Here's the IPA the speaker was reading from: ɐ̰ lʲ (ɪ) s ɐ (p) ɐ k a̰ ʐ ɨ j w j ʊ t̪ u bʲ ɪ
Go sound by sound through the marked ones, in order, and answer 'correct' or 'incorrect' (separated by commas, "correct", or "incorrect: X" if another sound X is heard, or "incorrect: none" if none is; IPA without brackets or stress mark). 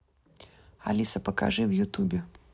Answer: incorrect: i, correct